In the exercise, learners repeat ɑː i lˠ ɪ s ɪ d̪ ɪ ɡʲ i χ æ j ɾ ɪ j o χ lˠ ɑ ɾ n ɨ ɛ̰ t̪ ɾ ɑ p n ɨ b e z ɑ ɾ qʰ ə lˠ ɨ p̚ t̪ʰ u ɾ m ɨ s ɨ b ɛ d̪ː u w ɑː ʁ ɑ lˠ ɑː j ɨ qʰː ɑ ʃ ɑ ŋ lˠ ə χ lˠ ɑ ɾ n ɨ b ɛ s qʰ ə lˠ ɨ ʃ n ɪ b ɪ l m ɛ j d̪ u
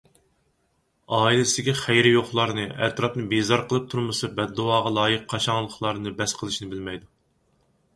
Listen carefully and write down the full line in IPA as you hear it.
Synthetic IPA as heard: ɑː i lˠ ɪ s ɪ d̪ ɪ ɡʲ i χ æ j ɾ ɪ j o χ lˠ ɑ ɾ n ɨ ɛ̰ t̪ ɾ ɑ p n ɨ b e z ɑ ɾ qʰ ə lˠ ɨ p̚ t̪ʰ u ɾ m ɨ s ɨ b ɛ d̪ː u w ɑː ʁ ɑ lˠ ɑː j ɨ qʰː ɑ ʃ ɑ ŋ lˠ ə χ lˠ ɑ ɾ n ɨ b ɛ s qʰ ə lˠ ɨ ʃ n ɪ b ɪ l m ɛ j d̪ u